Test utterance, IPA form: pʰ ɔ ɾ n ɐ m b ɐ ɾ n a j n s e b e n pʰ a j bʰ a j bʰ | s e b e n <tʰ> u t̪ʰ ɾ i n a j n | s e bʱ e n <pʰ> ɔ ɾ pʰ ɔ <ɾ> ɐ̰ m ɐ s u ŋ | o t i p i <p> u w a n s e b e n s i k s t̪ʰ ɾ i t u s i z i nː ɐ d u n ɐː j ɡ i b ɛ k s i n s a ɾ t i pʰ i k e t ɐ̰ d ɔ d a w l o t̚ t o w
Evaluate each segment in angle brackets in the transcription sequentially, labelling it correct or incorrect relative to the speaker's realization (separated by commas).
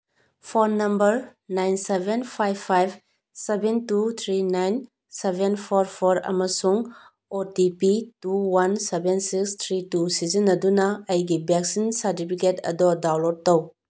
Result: incorrect, correct, correct, incorrect